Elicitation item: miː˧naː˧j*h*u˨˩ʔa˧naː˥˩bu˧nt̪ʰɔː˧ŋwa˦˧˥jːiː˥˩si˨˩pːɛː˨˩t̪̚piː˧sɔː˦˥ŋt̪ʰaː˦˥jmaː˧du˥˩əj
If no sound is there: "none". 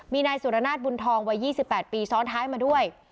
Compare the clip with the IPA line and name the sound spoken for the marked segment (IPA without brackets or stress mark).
s